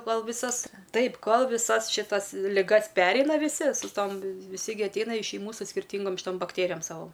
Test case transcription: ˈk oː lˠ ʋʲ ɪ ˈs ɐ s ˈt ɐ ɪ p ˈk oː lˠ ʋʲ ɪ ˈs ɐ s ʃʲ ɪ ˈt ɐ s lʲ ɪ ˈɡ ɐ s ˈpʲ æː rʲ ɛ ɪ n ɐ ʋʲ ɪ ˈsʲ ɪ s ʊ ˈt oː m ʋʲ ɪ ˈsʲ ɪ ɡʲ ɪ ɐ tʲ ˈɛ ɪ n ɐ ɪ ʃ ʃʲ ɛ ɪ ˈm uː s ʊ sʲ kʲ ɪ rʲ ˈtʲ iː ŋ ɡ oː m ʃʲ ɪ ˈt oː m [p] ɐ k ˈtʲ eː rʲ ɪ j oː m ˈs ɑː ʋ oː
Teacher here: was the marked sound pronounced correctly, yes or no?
no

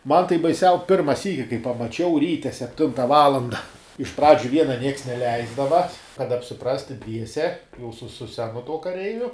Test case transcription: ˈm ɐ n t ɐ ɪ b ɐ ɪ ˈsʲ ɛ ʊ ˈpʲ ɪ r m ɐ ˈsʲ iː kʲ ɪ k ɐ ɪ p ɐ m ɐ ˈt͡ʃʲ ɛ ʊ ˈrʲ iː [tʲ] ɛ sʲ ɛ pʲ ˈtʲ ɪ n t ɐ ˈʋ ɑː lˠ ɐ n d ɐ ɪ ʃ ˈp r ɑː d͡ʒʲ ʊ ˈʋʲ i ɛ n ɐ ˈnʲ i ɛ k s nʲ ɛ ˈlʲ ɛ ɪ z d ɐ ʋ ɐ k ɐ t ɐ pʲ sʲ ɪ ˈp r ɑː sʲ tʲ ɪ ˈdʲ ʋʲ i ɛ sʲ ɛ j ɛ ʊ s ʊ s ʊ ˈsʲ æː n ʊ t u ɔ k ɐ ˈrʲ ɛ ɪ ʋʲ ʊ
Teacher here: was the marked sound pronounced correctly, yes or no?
yes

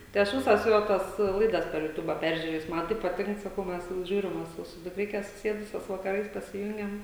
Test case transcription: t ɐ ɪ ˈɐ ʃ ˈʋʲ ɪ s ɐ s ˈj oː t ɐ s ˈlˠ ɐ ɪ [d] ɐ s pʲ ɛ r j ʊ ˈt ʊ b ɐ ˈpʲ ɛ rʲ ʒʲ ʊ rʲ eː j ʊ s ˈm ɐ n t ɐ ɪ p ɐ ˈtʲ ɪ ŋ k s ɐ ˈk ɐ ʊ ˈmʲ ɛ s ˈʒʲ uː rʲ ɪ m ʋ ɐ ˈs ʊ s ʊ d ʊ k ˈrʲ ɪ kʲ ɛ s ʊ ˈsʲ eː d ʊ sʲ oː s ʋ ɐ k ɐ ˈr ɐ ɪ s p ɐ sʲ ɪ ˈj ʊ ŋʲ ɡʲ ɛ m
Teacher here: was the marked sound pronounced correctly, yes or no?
yes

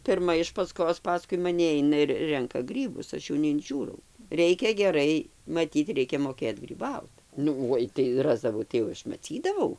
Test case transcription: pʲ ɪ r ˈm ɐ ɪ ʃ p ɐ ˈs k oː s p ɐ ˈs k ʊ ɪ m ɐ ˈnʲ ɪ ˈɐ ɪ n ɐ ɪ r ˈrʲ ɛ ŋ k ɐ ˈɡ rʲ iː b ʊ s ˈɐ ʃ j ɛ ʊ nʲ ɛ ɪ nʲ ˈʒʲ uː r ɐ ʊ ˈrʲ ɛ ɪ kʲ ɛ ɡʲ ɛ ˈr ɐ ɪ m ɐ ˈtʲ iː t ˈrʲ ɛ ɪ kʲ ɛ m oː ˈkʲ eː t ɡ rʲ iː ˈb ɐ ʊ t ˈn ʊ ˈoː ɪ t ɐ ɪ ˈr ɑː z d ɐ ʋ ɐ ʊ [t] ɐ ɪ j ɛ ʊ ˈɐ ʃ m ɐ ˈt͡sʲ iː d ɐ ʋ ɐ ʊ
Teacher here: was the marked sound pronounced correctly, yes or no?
yes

